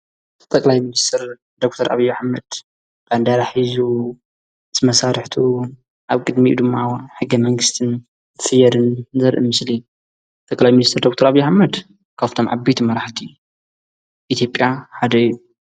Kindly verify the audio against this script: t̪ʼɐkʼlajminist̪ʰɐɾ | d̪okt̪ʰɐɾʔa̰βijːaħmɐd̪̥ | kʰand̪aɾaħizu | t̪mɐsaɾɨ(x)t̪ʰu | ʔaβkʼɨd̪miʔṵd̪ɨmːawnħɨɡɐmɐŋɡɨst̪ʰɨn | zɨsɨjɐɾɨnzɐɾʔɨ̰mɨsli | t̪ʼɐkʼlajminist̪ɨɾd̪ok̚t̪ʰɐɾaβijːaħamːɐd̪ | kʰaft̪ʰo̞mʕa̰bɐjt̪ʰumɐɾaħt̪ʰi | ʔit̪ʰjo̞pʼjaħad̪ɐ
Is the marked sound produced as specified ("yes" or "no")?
no